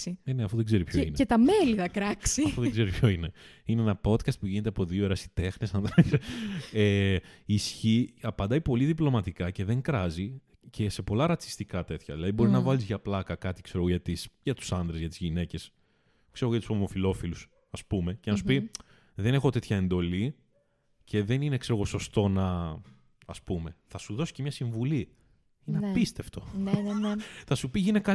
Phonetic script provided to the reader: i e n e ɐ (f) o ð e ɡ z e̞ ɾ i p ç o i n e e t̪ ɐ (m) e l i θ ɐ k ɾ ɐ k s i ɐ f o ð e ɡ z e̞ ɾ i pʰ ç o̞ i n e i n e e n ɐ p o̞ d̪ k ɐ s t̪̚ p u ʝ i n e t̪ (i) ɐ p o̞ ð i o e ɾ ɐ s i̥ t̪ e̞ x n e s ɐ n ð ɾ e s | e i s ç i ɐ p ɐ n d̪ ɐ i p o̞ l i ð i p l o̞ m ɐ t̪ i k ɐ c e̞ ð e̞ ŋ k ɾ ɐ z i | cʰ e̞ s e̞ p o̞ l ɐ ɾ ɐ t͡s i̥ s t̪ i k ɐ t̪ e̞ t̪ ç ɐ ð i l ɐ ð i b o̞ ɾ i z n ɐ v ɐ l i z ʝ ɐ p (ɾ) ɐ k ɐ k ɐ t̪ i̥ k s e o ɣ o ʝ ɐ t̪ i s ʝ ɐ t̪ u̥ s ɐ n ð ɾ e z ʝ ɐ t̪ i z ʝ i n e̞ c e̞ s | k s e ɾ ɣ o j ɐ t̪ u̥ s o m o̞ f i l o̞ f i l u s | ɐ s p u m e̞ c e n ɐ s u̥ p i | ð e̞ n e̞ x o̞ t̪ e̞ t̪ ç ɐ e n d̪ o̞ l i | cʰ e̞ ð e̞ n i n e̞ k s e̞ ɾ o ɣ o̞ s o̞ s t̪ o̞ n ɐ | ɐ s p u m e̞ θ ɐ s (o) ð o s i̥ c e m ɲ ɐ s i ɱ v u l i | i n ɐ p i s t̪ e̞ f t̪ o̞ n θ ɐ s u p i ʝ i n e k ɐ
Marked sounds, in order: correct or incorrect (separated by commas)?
correct, correct, incorrect, incorrect, incorrect